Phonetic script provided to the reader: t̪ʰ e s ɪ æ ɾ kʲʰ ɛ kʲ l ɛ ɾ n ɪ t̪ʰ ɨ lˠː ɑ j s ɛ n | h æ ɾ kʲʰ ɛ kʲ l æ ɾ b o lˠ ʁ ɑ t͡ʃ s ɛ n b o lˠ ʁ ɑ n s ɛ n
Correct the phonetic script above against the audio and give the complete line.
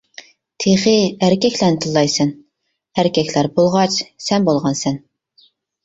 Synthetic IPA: t̪ʰ e χ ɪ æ ɾ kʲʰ ɛ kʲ l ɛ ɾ n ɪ t̪ʰ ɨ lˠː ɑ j s ɛ n | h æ ɾ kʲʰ ɛ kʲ l æ ɾ b o lˠ ʁ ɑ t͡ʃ s ɛ n b o lˠ ʁ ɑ n s ɛ n